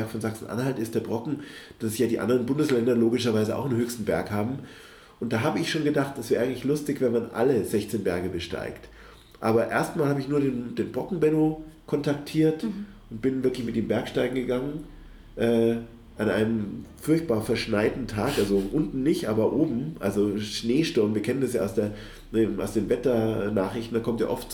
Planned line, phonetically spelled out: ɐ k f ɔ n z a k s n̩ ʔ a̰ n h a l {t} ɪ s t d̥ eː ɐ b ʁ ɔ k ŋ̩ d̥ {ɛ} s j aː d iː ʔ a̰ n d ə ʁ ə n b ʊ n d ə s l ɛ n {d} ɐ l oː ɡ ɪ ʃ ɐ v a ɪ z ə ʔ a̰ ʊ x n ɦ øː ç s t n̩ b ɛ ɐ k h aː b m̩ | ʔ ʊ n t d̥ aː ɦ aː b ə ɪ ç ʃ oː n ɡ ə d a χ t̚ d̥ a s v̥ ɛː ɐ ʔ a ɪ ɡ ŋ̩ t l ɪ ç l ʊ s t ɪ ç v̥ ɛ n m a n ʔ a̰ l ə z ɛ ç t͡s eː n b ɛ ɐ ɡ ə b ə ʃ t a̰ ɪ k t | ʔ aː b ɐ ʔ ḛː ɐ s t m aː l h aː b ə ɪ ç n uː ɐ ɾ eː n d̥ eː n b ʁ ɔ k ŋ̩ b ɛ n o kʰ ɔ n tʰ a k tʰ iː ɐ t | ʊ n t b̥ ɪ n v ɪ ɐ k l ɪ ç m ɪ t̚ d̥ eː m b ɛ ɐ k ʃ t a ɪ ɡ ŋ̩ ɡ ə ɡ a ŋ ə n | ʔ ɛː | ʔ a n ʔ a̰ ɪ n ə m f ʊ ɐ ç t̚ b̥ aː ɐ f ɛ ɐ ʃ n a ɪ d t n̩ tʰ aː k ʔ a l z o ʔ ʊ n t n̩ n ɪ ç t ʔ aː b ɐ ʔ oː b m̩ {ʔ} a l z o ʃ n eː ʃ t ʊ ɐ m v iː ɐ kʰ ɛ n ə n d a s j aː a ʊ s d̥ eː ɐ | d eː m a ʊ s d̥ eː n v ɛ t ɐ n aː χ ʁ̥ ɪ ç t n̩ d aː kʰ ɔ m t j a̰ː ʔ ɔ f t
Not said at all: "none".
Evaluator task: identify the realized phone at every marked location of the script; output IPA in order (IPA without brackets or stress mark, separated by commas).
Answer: t, a, d, ʔ